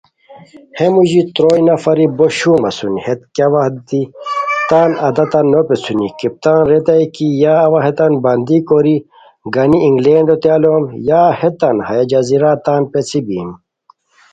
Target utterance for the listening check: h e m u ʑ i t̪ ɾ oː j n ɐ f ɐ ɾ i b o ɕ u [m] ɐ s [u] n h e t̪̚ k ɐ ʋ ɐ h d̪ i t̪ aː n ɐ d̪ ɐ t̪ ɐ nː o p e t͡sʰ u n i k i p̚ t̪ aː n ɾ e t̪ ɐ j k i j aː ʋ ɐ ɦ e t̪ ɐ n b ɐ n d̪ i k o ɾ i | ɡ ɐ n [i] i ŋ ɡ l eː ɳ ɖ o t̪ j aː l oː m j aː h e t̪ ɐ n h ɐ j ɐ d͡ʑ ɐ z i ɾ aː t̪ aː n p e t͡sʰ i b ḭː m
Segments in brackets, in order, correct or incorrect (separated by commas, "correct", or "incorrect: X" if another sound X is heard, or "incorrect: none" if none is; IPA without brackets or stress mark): correct, correct, correct